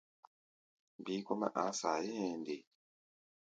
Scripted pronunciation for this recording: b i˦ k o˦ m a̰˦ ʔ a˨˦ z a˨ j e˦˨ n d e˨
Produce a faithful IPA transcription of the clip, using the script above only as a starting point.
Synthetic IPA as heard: b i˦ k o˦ m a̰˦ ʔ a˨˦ s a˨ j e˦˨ n d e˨